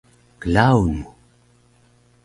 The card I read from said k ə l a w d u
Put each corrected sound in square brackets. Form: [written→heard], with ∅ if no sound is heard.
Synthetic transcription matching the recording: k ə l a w [d→n] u